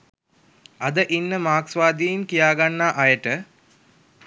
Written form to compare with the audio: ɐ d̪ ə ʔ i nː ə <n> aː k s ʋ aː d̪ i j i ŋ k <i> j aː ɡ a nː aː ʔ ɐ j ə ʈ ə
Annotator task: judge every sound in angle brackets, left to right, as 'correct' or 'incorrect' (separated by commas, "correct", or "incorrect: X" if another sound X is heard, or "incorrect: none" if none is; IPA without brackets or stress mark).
incorrect: m, correct